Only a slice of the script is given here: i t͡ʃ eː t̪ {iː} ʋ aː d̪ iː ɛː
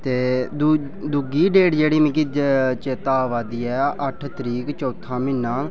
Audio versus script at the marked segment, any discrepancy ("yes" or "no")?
yes